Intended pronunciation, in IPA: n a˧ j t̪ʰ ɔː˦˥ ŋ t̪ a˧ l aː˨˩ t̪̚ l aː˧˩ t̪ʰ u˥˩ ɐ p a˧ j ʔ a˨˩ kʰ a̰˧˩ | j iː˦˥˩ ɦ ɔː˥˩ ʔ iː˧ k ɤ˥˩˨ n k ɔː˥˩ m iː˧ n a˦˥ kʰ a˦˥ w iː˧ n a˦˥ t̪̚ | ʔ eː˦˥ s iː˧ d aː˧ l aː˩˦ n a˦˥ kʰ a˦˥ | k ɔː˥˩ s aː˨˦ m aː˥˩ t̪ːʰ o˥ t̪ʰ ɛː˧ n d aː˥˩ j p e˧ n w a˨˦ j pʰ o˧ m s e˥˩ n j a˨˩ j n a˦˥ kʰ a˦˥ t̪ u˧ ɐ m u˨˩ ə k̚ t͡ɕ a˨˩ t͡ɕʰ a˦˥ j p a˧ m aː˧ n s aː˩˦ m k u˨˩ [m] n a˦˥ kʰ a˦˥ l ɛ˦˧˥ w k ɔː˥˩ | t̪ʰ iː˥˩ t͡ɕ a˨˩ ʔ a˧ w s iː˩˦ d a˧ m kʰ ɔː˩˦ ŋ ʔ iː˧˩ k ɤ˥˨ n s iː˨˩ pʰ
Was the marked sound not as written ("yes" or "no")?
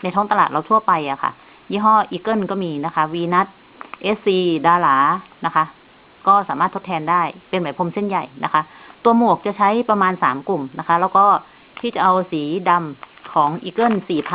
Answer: no